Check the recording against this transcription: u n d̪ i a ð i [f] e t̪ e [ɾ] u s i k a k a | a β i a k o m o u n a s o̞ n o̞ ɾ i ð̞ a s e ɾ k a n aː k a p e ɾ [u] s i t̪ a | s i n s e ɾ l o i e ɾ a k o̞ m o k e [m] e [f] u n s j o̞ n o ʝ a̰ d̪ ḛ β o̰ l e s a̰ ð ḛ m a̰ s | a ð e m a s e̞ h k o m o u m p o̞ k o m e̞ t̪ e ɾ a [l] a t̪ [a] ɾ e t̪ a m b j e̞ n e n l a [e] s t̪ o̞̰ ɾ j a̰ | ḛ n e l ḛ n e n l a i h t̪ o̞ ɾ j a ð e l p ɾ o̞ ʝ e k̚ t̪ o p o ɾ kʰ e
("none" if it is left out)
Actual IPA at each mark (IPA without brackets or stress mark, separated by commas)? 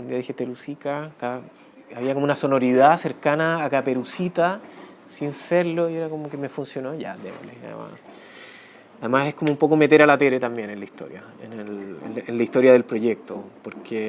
x, ɾ, u, m, f, l, e, i